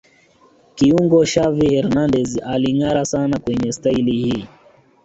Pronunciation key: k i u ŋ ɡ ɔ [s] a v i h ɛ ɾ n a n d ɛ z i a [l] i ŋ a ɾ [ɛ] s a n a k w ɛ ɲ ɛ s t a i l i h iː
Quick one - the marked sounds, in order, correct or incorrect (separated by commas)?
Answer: incorrect, correct, incorrect